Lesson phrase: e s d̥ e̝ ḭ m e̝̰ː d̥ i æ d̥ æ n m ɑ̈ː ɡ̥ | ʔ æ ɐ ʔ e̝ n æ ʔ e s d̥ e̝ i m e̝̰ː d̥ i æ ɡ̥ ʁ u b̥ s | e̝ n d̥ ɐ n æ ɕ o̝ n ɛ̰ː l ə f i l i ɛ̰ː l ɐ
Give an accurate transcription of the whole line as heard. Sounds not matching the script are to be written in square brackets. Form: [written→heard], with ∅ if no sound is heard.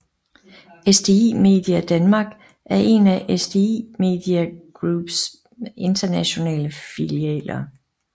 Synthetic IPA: e s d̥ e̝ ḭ m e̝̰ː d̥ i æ d̥ æ n m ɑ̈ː ɡ̥ | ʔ æ ɐ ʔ e̝ n æ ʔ e s d̥ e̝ i m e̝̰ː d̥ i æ ɡ̥ ʁ u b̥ s | e̝ n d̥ ɐ n æ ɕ o̝ n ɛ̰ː l ə f i l i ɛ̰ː l ɐ